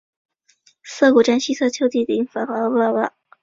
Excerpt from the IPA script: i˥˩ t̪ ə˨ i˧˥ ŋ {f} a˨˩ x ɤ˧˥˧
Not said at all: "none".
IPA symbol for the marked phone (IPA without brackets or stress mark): f